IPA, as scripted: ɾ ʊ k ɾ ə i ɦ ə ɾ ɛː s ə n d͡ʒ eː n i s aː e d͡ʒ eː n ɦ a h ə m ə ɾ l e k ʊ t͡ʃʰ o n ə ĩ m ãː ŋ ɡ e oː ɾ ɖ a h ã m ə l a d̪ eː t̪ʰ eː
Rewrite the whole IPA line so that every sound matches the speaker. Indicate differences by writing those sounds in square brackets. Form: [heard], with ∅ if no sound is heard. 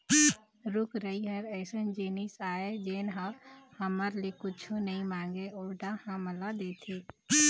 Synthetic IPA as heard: ɾ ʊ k ɾ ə i ɦ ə ɾ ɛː s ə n d͡ʒ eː n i s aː e d͡ʒ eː n ɦ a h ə m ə ɾ l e k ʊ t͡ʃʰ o n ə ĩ m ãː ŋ ɡ e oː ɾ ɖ a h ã m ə l a d̪ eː t̪ʰ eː